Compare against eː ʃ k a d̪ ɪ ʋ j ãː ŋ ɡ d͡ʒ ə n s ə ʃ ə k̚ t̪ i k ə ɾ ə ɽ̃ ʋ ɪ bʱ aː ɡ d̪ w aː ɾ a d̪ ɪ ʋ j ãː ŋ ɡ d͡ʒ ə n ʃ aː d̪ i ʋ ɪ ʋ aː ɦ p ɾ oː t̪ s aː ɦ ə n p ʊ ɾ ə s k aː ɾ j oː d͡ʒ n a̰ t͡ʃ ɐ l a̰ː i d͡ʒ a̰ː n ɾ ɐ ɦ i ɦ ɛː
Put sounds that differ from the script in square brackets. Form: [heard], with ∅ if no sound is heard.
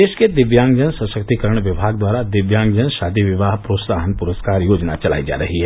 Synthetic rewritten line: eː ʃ k [e] d̪ ɪ ʋ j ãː ŋ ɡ d͡ʒ ə n s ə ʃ ə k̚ t̪ i k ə ɾ ə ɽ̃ ʋ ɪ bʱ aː ɡ d̪ w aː ɾ a d̪ ɪ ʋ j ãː ŋ ɡ d͡ʒ ə n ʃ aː d̪ i ʋ ɪ ʋ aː ɦ p ɾ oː t̪ s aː ɦ ə n p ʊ ɾ ə s k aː ɾ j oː d͡ʒ n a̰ t͡ʃ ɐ l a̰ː i d͡ʒ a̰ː [∅] ɾ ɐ ɦ i ɦ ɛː